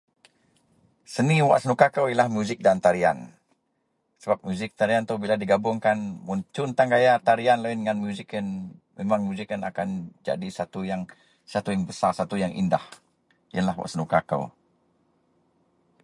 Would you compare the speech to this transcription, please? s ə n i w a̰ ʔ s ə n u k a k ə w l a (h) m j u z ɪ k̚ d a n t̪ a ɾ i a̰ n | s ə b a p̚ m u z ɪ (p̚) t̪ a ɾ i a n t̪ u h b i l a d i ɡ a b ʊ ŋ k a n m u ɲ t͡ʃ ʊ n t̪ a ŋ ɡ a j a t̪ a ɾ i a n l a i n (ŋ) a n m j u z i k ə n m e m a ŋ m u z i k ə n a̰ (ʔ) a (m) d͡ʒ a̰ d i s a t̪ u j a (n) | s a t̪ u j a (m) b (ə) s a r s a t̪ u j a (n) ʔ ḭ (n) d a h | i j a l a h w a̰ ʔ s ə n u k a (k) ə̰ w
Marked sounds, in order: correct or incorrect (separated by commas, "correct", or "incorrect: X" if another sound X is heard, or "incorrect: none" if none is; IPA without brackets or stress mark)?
correct, incorrect: k̚, correct, incorrect: k, incorrect: n, incorrect: ŋ, incorrect: ŋ, correct, incorrect: ŋ, correct, correct